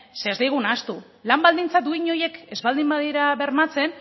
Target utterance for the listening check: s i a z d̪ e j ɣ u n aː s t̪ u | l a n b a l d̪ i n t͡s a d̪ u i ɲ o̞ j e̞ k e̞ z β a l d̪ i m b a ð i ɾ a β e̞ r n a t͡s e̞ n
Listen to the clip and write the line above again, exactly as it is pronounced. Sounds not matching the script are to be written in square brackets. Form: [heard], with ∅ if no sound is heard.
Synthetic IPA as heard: s [e] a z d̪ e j ɣ u n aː s t̪ u | l a [m] b a l d̪ i n t͡s a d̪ u i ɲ o̞ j e̞ k e̞ z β a l d̪ i m b a ð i ɾ a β e̞ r [m] a t͡s e̞ n

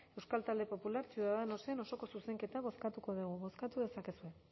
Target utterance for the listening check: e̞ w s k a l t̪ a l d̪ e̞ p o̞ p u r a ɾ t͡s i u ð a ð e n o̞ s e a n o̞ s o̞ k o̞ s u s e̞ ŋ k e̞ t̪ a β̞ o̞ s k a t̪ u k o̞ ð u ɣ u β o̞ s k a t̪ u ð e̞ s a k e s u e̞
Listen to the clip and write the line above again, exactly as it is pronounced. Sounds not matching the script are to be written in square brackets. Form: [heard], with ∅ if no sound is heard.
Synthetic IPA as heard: e̞ w s k a l t̪ a l d̪ e̞ p o̞ p u [l] a ɾ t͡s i u ð a ð e n o̞ s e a n o̞ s o̞ k o̞ s u s e̞ ŋ k e̞ t̪ a β̞ o̞ s k a t̪ u k o̞ ð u ɣ u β o̞ s k a t̪ u ð e̞ s a k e s u e̞

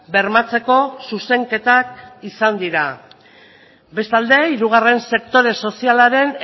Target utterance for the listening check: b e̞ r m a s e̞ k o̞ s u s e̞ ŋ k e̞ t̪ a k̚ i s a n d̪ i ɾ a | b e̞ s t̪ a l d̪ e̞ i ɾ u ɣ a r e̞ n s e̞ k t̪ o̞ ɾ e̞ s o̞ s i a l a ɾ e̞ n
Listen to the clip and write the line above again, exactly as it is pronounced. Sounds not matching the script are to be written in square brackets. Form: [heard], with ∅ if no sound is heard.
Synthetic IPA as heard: b e̞ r m a [t͡s] e̞ k o̞ s u s e̞ ŋ k e̞ t̪ a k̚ i s a n d̪ i ɾ a | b e̞ s t̪ a l d̪ e̞ i ɾ u ɣ a r e̞ n s e̞ k t̪ o̞ ɾ e̞ s o̞ s i a l a ɾ e̞ n

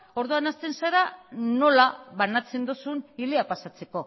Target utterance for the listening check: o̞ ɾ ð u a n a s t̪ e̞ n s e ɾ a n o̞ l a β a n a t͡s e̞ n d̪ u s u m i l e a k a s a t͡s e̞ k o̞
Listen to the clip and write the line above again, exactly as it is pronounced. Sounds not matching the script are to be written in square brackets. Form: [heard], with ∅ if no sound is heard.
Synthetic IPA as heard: o̞ ɾ ð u a n a s t̪ e̞ n s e ɾ a n o̞ l a β a n a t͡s e̞ n d̪ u s u [n] i l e a [p] a s a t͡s e̞ k o̞

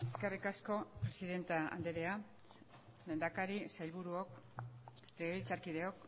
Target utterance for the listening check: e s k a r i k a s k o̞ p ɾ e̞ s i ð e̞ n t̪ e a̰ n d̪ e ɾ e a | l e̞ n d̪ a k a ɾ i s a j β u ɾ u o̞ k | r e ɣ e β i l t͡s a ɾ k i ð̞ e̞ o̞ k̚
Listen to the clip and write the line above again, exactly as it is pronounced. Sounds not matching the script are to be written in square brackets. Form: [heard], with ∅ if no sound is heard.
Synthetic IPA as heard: e s k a r i k a s k o̞ p ɾ e̞ s i ð e̞ n t̪ [a] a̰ n d̪ e ɾ e a | l e̞ n d̪ a k a ɾ i s a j β u ɾ u o̞ k | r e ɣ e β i l t͡s a ɾ k i ð̞ e̞ o̞ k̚

